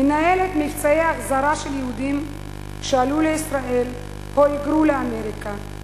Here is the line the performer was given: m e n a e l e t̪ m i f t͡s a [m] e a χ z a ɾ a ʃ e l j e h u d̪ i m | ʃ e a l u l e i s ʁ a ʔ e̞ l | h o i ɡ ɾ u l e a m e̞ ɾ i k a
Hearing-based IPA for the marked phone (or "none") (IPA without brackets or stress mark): none